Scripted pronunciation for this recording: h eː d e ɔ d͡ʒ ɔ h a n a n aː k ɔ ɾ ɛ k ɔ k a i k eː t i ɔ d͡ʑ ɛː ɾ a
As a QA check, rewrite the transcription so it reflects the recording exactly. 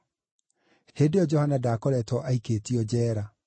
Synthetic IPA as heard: h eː d e ɔ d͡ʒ ɔ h a n a d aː k ɔ ɾ ɛ t ɔ ʔ a i k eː t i ɔ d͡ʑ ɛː ɾ a